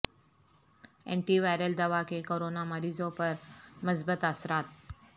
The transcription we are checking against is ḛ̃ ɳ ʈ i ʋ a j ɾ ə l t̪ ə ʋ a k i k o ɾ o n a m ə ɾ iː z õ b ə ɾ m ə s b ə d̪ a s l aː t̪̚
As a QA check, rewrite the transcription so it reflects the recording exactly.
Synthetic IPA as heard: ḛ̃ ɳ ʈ i ʋ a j ɾ ə l d̪ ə ʋ a k e k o ɾ o n a m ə ɾ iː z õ p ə ɾ m ə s b ə t̪ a s ɾ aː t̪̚